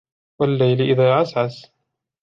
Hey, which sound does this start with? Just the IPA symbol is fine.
w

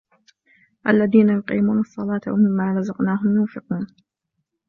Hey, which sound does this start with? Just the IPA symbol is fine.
ʔ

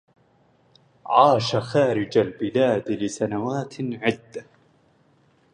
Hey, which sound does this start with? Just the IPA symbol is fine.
ʕ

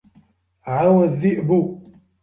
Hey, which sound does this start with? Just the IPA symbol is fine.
ʕ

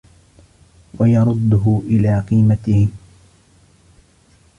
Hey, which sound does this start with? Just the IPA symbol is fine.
w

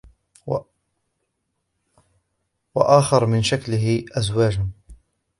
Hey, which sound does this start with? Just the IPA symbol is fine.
w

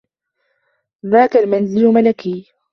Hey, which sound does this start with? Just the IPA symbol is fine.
ð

